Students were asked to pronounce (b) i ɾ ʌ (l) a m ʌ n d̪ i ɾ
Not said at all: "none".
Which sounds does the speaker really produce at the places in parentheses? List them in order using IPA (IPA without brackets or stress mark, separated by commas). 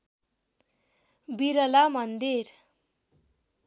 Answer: b, l